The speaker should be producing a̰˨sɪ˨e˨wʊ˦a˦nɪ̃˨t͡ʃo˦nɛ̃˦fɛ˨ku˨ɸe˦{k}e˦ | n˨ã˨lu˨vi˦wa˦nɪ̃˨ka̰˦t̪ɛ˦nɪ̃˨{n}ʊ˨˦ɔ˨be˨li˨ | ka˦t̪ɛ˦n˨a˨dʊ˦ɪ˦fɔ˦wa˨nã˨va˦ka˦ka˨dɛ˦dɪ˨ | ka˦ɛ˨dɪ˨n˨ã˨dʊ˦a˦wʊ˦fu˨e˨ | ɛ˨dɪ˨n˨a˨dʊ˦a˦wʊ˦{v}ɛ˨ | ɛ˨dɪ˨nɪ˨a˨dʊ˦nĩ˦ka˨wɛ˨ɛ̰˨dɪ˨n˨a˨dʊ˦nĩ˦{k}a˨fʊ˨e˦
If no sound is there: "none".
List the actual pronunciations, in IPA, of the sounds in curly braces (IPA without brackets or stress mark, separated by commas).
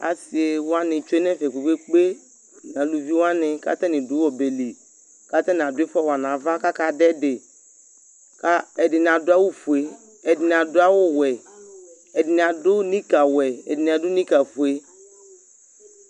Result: k͡p, d, w, k